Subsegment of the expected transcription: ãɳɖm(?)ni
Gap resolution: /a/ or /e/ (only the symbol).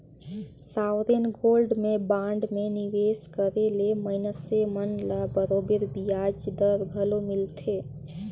e